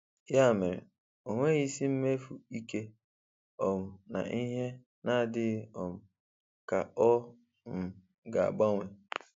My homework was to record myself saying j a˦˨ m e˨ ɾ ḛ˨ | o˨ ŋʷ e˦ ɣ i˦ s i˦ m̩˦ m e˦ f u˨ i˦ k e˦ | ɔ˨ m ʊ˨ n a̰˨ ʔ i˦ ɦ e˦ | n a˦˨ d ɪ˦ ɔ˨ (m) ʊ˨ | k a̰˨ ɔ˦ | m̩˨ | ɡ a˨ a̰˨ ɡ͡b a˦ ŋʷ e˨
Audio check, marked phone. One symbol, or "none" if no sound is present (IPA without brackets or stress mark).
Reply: m